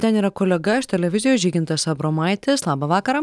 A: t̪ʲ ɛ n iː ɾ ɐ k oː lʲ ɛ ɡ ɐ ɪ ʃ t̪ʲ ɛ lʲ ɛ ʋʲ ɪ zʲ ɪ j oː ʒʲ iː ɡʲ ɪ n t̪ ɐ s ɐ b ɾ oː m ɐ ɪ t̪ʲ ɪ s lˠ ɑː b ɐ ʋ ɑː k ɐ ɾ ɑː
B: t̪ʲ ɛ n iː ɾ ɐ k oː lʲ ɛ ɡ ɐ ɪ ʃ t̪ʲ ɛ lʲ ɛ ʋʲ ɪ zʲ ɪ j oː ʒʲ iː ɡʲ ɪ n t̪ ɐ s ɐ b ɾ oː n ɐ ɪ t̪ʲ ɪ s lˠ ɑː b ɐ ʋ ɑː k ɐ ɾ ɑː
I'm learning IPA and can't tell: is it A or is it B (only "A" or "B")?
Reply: A